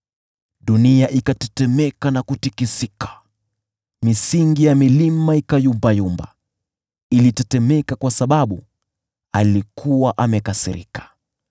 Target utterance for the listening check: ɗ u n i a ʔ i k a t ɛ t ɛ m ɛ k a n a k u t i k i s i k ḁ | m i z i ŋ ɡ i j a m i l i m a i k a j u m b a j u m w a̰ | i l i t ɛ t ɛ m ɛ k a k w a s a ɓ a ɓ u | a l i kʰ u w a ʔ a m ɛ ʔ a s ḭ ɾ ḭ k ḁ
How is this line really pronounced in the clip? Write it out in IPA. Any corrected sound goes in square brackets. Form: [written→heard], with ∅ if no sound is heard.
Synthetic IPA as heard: ɗ u n i a ʔ i k a t ɛ t ɛ m ɛ k a n a k u t i k i s i k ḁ | m i [z→s] i ŋ ɡ i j a m i l i m a i k a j u m b a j u m [w→b] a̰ | i l i t ɛ t ɛ m ɛ k a k w a s a ɓ a ɓ u | a l i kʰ u w a ʔ a m ɛ [ʔ→k] a s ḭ ɾ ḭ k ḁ